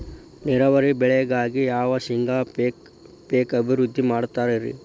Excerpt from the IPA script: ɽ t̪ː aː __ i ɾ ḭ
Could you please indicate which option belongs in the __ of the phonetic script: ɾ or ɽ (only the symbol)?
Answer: ɾ